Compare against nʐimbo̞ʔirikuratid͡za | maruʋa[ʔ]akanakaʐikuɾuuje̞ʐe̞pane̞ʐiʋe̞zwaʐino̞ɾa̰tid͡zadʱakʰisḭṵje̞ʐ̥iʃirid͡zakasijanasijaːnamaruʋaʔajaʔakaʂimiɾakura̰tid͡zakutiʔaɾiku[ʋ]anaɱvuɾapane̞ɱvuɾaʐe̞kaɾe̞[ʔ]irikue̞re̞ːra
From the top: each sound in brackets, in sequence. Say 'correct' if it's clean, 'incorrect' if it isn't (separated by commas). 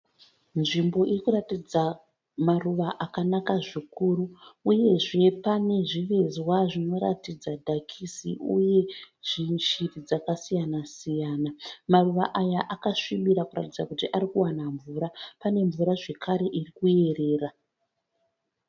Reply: correct, incorrect, correct